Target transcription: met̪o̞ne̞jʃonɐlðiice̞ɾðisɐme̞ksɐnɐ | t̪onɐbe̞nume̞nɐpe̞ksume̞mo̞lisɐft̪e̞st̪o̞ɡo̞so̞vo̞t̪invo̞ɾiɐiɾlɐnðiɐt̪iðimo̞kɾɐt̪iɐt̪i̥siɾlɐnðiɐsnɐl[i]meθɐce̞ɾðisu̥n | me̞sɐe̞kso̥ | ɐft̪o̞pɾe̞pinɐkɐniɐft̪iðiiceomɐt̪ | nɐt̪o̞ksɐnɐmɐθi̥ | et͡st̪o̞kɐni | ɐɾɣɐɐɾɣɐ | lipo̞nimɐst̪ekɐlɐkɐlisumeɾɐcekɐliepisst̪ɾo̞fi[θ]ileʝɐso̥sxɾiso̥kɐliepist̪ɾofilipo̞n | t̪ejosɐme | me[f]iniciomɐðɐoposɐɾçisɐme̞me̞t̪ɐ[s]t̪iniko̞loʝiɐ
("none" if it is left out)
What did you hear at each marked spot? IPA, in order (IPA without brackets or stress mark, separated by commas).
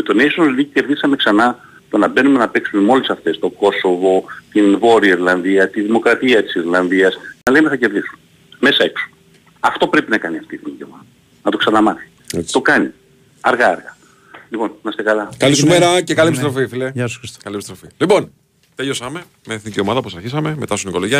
e, f, θ, s